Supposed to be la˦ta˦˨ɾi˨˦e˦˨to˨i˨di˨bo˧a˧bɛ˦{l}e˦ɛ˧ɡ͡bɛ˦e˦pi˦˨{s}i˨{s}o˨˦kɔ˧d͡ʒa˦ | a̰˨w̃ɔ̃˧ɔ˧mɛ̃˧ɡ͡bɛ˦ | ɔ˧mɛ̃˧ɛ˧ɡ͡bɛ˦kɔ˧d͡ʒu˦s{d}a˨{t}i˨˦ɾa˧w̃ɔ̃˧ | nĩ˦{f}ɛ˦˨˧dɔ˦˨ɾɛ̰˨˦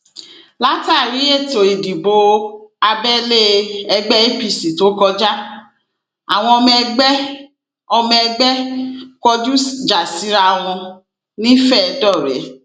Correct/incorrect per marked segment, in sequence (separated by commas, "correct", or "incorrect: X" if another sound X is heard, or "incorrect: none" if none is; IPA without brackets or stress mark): correct, correct, incorrect: t, incorrect: d͡ʒ, incorrect: s, correct